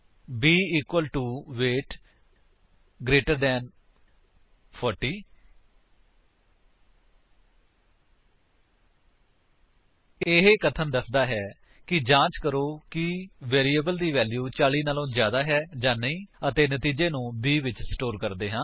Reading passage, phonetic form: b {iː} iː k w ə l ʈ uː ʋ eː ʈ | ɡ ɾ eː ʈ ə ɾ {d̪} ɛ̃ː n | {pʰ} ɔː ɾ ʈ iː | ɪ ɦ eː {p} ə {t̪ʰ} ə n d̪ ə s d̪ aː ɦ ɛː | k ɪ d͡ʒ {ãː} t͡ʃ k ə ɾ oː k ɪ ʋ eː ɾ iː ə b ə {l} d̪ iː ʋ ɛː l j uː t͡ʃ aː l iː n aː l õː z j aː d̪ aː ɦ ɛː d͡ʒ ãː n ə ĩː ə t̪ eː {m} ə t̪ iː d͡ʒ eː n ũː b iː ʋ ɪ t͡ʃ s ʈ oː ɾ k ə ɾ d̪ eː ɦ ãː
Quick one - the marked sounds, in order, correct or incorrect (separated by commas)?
correct, correct, correct, incorrect, correct, correct, correct, incorrect